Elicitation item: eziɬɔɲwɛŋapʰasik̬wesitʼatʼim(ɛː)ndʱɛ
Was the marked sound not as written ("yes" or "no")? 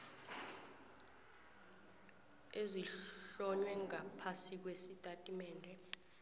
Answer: no